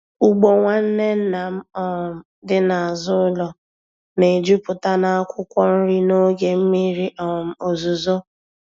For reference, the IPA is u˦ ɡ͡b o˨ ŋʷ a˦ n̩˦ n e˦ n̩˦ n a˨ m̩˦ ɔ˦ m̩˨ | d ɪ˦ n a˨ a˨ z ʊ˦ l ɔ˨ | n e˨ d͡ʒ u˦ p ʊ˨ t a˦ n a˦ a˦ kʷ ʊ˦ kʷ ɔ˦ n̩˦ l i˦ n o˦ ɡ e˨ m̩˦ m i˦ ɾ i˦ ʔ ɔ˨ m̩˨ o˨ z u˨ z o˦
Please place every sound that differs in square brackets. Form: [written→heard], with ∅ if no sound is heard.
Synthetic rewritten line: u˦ ɡ͡b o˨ ŋʷ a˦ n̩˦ n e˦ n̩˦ n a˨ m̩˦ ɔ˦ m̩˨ | d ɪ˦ n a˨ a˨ z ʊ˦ l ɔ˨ | n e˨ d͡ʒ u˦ p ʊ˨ t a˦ n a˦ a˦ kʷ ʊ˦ kʷ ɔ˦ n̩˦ [l→ɾ] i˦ n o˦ ɡ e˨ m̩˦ m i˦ ɾ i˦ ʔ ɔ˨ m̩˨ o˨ z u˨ z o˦